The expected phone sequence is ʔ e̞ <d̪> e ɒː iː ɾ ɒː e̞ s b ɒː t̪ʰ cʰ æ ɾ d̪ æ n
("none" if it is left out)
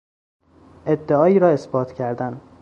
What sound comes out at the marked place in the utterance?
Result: d̪ː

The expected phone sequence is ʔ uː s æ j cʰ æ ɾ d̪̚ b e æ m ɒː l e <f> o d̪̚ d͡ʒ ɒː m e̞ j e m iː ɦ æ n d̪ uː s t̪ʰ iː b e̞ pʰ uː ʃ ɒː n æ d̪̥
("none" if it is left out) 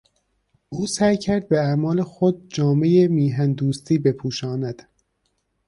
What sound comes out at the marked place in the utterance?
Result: x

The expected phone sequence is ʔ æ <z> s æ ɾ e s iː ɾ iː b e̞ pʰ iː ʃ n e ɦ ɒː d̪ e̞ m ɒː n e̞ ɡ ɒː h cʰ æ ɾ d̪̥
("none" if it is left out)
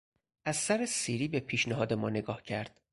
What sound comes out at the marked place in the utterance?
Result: z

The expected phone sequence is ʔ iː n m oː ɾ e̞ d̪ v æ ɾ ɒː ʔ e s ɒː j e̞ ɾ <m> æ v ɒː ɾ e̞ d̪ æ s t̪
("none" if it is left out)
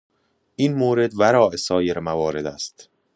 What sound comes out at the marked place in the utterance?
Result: m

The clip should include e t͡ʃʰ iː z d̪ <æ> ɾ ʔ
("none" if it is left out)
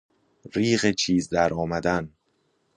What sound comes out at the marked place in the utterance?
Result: æ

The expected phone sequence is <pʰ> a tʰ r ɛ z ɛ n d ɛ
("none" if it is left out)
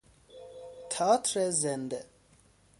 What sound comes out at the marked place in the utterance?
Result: tʰ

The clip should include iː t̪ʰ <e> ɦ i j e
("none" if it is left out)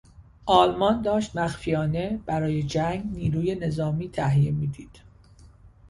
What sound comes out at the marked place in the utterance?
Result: æ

